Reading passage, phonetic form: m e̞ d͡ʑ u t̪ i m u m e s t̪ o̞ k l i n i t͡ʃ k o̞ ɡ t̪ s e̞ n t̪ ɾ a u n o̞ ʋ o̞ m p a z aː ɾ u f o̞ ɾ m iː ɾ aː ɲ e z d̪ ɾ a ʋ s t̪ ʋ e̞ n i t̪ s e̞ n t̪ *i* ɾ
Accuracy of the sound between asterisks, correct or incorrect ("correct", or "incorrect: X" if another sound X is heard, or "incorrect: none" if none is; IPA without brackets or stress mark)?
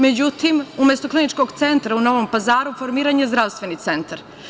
incorrect: a